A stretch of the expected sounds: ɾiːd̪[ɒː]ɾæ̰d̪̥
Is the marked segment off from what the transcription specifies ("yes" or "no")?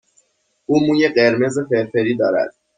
no